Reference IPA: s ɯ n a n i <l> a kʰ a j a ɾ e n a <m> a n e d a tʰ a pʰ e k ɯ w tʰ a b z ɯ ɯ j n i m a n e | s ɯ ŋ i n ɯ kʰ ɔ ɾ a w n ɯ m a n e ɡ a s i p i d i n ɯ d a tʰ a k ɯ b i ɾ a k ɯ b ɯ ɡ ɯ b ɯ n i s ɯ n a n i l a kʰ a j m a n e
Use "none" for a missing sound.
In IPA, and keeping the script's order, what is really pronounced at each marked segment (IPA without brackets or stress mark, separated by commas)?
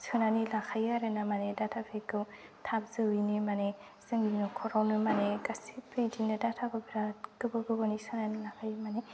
l, m